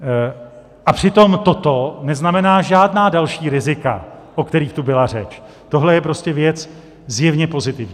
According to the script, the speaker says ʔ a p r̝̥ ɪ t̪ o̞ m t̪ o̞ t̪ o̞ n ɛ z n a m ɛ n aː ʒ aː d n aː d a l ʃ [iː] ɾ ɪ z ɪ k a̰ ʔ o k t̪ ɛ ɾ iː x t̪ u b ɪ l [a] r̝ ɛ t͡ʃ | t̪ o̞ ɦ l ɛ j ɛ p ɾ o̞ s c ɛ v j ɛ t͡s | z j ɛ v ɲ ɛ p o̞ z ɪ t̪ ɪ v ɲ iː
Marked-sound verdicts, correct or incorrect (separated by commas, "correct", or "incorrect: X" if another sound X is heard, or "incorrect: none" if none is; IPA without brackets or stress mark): correct, correct